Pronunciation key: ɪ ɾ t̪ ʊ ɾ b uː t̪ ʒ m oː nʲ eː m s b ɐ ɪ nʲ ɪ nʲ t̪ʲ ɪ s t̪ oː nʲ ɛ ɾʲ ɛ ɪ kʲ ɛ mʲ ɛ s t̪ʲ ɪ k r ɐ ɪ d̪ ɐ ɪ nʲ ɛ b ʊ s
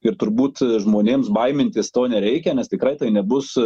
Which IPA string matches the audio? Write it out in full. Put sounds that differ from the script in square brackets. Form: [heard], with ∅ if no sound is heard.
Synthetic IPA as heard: ɪ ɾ t̪ ʊ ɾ b uː t̪ ʒ m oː nʲ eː m s b ɐ ɪ [mʲ] ɪ nʲ t̪ʲ ɪ s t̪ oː nʲ ɛ ɾʲ ɛ ɪ kʲ ɛ [nʲ] ɛ s t̪ʲ ɪ k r ɐ ɪ [t̪] ɐ ɪ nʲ ɛ b ʊ s